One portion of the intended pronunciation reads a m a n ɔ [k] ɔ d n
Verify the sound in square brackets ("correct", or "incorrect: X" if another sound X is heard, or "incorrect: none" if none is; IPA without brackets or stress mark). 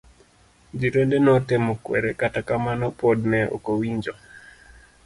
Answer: incorrect: p